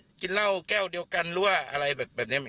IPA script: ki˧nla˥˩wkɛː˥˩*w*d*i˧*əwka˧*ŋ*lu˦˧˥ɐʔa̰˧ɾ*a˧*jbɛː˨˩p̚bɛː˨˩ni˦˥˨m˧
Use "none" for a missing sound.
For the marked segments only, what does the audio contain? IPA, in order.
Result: w, i˧, n, a˧

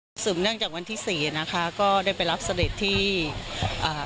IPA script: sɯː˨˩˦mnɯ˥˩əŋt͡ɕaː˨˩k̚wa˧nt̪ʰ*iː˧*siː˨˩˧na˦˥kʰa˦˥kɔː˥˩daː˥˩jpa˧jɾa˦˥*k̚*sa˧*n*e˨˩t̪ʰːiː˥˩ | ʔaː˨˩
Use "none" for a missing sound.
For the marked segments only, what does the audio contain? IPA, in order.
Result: iː˥˩, p̚, d

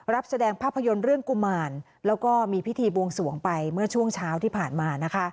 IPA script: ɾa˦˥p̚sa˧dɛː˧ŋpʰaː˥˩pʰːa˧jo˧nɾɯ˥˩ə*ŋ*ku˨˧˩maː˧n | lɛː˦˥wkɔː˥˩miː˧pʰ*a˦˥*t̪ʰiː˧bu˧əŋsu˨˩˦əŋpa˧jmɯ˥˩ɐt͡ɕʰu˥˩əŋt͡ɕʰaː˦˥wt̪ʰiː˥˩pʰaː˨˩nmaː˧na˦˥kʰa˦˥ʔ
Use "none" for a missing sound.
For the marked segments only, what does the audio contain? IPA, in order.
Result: ŋ, i˦˥

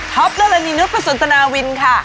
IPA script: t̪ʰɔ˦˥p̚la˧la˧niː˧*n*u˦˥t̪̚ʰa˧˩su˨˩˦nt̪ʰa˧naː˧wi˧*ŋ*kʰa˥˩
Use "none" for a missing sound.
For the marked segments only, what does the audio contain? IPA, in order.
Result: n, n

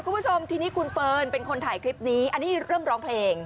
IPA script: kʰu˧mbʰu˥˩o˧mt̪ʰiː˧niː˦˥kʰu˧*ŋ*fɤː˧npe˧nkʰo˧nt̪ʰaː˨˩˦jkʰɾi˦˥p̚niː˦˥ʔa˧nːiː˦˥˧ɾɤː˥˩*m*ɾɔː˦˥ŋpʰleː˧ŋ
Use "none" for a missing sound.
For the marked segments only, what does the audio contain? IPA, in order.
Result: n, m

